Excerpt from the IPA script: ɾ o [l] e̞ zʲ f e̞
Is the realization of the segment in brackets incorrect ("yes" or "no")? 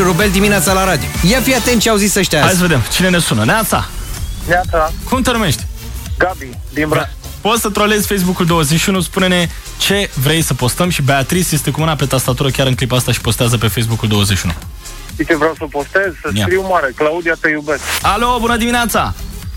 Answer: no